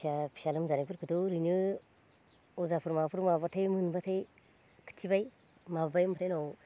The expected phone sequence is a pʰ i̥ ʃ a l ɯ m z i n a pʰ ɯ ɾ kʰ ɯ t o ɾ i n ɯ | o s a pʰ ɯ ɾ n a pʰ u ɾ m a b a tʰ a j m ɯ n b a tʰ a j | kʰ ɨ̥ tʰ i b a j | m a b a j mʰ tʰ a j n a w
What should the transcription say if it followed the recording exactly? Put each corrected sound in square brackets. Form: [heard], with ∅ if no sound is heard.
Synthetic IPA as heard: a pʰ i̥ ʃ a l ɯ m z [a] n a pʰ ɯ ɾ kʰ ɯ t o ɾ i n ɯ | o [z] a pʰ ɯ ɾ [m] a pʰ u ɾ m a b a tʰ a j m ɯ n b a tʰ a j | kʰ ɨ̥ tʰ i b a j | m a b a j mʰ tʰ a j n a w